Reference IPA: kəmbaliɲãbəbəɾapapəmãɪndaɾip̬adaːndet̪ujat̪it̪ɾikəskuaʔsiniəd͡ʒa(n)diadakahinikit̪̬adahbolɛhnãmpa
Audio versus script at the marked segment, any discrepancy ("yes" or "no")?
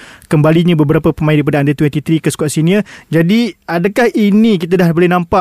yes